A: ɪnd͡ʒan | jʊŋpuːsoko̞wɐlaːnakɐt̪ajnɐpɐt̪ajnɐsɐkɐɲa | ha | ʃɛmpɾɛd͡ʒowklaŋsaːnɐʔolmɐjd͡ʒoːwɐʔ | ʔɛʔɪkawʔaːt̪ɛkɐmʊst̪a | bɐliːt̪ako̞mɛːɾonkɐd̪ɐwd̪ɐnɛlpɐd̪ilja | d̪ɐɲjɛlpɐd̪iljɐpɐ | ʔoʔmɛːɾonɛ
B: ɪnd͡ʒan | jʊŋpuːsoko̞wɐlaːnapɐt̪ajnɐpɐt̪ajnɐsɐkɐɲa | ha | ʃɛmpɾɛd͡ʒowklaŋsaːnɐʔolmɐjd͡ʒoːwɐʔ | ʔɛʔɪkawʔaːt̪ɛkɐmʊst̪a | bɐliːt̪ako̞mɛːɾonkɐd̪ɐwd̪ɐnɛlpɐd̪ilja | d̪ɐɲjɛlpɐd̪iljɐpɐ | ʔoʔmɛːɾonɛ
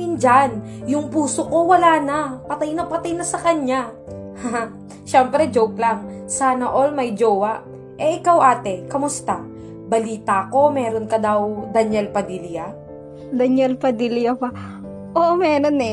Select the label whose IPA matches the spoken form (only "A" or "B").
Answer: B